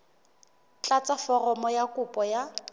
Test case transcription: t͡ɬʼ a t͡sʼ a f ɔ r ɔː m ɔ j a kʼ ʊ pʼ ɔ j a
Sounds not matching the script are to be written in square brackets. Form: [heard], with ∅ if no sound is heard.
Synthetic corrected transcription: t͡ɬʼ a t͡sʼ a f ɔ r [ɔ] m ɔ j a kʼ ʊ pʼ ɔ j a